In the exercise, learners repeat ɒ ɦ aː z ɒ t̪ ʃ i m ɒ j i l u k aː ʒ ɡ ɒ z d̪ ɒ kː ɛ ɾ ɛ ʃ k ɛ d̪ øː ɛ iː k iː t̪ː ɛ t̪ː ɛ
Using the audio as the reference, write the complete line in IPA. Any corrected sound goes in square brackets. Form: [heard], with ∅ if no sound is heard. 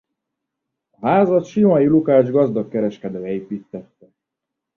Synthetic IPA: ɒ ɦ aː z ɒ t̪ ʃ i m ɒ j i l u k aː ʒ ɡ ɒ z d̪ ɒ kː ɛ ɾ ɛ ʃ k ɛ d̪ øː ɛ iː [p] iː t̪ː ɛ t̪ː ɛ